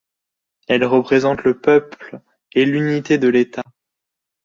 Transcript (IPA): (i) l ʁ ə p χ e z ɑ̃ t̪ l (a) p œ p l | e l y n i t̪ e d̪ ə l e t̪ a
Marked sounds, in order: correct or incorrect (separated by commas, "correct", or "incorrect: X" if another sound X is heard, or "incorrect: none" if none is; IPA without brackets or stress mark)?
incorrect: ɛ, incorrect: ə